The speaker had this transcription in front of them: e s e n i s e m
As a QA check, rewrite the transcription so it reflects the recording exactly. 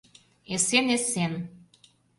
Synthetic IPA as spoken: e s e n e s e n